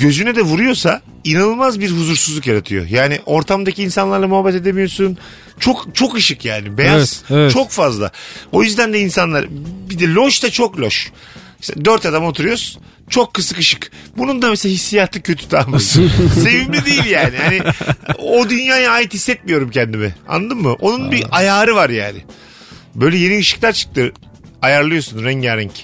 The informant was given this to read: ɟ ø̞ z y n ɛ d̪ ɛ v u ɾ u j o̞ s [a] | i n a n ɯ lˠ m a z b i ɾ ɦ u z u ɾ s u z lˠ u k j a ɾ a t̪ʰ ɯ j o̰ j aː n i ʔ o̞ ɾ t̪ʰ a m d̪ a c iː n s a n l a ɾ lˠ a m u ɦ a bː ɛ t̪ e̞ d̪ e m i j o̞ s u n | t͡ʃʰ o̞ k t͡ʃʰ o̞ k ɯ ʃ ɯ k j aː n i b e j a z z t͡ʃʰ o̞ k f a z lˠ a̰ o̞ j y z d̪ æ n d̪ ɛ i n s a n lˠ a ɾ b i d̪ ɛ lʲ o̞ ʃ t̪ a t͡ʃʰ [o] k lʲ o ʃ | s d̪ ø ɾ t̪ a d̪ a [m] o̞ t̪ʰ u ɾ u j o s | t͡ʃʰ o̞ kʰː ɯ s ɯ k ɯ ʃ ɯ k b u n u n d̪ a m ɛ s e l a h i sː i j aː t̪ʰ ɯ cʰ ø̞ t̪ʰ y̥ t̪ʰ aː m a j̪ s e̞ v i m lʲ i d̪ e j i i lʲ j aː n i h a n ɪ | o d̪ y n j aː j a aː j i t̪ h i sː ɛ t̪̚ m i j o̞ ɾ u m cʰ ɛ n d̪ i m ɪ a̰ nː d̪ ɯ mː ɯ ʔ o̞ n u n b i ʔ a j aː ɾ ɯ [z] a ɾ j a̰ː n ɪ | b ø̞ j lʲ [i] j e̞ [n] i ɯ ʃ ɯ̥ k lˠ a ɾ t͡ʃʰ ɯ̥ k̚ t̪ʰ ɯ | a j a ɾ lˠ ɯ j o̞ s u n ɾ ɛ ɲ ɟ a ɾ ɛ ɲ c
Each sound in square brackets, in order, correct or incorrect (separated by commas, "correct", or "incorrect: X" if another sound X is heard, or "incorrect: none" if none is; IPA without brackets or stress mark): correct, correct, correct, incorrect: v, incorrect: ɛ, correct